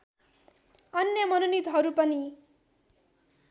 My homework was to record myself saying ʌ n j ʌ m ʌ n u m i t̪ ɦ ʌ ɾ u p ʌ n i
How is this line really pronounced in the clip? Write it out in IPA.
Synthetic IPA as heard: ʌ n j ʌ m ʌ n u n i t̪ ɦ ʌ ɾ u p ʌ n i